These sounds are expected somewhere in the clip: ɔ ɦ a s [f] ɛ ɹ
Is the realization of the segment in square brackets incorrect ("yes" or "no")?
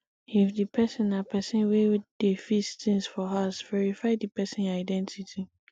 yes